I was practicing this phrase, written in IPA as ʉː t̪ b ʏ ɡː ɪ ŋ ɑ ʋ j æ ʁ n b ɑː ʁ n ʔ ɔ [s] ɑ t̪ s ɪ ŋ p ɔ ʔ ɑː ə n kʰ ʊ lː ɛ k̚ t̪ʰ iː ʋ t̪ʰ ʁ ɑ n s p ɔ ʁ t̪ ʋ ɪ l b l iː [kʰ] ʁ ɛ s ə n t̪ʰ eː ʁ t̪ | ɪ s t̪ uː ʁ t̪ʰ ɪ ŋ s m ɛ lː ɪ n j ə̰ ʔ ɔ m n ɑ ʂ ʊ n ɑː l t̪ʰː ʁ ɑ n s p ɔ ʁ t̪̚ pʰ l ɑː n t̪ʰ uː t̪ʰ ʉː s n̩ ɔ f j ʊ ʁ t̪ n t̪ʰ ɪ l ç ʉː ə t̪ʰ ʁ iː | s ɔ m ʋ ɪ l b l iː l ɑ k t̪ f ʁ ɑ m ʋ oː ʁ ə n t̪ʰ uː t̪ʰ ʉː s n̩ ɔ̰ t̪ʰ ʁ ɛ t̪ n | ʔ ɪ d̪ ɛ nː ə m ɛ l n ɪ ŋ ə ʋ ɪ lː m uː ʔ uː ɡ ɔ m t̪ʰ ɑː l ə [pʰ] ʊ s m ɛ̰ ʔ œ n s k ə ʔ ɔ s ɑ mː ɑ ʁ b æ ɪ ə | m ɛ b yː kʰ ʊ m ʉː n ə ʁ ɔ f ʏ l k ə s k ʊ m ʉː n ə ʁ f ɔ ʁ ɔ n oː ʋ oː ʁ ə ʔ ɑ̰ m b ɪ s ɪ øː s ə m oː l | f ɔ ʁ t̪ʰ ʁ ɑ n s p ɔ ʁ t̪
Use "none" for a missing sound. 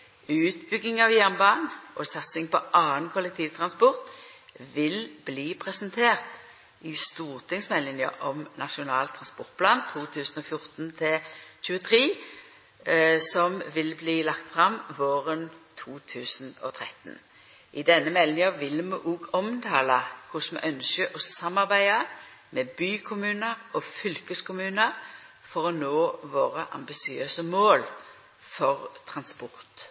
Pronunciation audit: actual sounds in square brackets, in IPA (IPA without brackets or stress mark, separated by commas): s, pʰ, kʰ